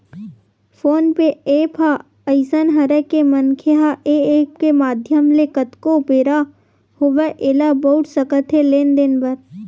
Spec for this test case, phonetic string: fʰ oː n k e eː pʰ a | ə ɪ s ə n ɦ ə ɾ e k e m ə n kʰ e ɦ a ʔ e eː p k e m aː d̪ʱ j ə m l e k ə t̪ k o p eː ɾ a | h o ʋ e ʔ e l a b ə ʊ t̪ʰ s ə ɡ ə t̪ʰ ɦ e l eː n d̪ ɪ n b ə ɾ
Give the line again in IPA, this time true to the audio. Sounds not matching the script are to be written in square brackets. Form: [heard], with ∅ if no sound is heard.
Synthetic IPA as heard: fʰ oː n [p] e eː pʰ a | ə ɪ s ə n ɦ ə ɾ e k e m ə n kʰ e ɦ a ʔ e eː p k e m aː d̪ʱ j ə m l e k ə t̪ k o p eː ɾ a | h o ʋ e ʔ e l a b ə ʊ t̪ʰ s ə [k] ə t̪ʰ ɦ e l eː n d̪ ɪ n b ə ɾ